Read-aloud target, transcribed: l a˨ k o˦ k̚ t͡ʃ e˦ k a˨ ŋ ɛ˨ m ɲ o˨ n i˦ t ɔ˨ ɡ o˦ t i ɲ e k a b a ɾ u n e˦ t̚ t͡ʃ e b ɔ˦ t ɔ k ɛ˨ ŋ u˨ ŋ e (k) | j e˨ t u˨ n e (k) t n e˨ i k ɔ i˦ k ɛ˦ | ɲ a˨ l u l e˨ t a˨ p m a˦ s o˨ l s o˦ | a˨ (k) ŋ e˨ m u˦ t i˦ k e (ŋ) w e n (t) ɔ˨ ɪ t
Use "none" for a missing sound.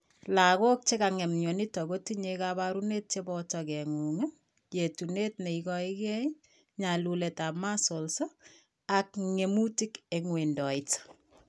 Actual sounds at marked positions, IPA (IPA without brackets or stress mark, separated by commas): none, none, k, ŋ, d